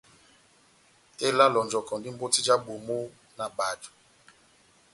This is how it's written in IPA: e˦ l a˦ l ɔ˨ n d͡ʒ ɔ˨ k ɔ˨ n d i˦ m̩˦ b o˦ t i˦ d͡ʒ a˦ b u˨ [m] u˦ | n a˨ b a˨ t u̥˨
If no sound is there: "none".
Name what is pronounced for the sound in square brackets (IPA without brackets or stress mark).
m